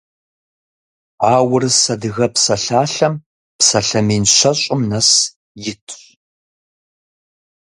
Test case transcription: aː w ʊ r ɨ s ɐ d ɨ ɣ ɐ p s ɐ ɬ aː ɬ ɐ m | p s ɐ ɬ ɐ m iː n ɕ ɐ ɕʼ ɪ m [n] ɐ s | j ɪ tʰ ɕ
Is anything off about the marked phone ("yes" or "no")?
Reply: no